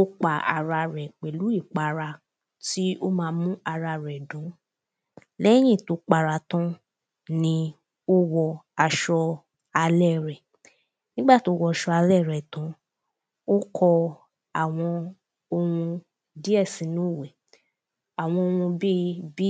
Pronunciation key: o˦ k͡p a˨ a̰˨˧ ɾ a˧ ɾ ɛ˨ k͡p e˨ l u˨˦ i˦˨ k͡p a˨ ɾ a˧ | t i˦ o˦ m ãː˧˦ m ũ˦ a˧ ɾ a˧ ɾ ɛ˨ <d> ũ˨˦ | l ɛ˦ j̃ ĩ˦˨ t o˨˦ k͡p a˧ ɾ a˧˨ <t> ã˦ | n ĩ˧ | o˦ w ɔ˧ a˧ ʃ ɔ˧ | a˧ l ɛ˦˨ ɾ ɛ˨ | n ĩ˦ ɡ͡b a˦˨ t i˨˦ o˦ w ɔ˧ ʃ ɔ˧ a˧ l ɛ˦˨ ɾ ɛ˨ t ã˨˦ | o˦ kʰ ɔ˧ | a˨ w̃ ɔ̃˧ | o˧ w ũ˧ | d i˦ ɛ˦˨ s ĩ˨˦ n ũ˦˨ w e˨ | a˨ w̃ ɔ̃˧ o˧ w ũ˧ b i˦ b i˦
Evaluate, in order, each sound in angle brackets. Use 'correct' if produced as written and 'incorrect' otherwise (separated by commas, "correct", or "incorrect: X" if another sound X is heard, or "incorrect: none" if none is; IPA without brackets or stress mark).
correct, correct